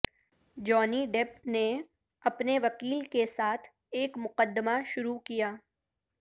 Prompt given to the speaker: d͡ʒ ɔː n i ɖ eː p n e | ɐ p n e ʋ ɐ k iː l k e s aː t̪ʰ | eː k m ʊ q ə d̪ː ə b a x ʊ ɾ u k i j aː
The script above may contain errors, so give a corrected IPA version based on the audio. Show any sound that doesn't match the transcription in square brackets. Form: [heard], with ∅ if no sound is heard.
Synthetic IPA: d͡ʒ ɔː n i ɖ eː p n e | ɐ p n e ʋ ɐ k iː l k e s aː t̪ʰ | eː k m ʊ q ə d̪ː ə [m] a [ʃ] ʊ ɾ u k i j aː